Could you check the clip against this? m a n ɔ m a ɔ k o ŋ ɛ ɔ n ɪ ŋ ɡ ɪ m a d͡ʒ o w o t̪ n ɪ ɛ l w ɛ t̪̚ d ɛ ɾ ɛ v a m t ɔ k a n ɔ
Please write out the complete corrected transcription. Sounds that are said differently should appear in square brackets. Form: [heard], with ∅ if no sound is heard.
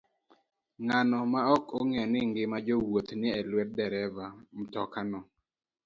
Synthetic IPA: [ŋ] a n ɔ m a ɔ k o ŋ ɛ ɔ n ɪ ŋ ɡ ɪ m a d͡ʒ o w o t̪ n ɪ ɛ l w ɛ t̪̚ d ɛ ɾ ɛ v a m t ɔ k a n ɔ